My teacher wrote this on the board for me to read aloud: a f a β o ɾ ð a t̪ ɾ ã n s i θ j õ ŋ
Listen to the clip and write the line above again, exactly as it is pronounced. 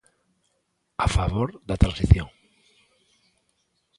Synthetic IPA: a f a β o ɾ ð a t̪ ɾ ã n s i θ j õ ŋ